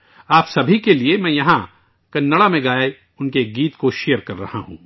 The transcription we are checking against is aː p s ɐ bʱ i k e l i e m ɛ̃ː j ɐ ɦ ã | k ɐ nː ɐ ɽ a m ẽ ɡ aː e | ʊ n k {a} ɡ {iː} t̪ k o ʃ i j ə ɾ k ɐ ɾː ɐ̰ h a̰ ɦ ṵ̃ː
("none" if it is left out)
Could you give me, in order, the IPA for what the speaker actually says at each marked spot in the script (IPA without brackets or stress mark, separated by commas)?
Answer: e, iː